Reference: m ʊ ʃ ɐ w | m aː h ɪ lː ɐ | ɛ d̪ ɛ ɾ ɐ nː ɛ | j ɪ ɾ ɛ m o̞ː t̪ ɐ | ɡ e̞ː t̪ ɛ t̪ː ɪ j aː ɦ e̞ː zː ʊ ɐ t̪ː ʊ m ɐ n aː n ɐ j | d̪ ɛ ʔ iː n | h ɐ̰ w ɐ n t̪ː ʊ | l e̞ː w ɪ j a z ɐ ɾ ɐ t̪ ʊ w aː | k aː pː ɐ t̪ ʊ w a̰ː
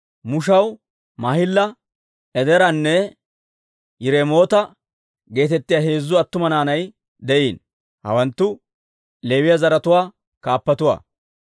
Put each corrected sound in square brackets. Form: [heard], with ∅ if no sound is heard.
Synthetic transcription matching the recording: m ʊ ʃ ɐ w | m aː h ɪ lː ɐ | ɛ d̪ ɛ ɾ ɐ nː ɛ | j ɪ ɾ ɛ m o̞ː t̪ ɐ | ɡ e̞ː t̪ ɛ t̪ː ɪ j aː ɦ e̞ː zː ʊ ɐ t̪ː ʊ m ɐ n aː n ɐ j | d̪ ɛ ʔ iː n | h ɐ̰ w ɐ n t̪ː ʊ | l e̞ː w ɪ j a z ɐ ɾ ɐ t̪ ʊ w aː | k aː pː ɐ t̪ ʊ w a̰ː